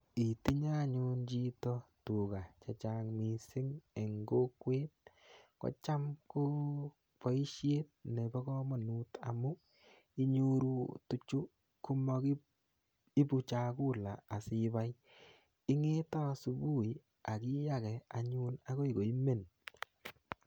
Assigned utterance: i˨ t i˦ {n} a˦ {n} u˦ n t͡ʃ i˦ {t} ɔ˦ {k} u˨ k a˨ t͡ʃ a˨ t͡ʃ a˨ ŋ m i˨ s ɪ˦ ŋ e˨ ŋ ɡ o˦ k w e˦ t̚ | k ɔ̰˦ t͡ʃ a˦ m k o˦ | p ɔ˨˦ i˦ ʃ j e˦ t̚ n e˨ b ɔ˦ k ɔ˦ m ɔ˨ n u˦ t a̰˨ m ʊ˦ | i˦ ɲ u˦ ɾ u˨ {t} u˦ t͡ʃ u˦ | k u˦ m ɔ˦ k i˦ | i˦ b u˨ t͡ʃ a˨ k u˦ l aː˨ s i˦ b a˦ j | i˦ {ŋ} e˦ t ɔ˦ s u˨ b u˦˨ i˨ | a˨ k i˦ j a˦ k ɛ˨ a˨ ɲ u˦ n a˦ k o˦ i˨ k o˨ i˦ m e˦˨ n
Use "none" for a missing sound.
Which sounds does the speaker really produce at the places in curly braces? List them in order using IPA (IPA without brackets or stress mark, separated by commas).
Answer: ɲ, ɲ, t, t, t, ŋ